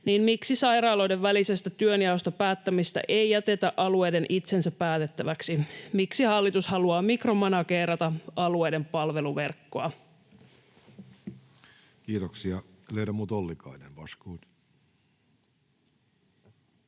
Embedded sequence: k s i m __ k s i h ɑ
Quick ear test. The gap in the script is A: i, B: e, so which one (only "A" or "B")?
A